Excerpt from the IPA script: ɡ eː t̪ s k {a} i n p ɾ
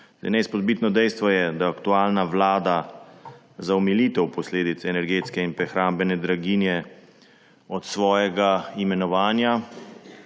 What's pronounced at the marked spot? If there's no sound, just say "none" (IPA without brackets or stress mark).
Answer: ɛ